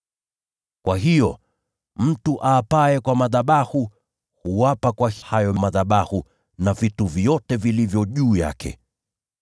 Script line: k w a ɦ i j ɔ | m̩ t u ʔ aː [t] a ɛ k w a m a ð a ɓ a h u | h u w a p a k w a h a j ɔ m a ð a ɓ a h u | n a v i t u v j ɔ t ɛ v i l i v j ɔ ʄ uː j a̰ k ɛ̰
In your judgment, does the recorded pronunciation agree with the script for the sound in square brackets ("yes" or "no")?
no